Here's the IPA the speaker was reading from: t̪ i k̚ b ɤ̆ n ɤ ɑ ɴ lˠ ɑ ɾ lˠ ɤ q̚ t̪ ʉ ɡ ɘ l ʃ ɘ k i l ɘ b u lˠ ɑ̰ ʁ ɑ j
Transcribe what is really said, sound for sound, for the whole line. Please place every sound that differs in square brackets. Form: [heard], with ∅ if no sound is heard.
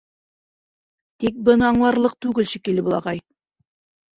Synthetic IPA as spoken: t̪ i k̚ b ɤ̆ n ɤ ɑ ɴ lˠ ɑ ɾ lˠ ɤ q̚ t̪ ʉ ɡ ɘ l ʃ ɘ k i l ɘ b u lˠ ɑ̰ ʁ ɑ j